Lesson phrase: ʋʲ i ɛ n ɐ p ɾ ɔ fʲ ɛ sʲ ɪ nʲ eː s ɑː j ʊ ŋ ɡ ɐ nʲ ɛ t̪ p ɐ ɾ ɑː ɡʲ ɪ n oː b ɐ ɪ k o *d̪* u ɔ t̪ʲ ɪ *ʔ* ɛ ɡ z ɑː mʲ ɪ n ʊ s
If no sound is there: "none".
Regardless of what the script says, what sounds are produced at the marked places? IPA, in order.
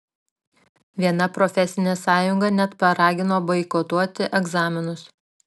t̪, ʔ

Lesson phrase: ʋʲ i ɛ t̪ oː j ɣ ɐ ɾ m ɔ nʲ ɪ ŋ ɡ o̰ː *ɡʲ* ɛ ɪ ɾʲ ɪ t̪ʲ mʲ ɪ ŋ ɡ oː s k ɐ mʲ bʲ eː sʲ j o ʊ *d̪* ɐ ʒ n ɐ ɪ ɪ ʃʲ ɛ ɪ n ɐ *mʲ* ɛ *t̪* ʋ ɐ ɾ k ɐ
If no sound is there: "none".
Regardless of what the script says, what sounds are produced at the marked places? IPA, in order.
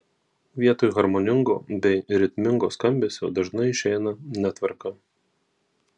bʲ, d̪, nʲ, t̪

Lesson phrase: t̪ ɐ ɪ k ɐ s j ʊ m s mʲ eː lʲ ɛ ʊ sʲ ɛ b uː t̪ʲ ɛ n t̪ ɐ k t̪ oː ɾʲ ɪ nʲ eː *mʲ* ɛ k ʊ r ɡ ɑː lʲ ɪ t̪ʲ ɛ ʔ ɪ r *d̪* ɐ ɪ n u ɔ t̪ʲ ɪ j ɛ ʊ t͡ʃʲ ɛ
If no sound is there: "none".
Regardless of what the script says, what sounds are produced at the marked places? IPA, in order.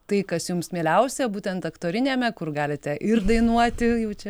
mʲ, d̪

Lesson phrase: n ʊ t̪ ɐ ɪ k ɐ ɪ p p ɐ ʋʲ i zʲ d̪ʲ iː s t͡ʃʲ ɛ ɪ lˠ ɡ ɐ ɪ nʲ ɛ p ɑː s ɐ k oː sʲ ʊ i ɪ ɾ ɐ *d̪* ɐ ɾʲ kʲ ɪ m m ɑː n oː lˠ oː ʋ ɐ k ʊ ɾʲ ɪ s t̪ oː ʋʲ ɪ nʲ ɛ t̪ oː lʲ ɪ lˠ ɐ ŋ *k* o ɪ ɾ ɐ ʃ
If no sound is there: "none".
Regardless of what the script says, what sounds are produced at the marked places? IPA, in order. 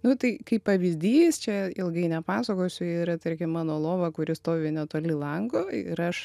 t̪, ɡ

